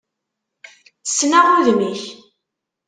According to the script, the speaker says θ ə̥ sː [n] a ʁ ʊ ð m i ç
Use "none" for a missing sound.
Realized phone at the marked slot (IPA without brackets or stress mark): n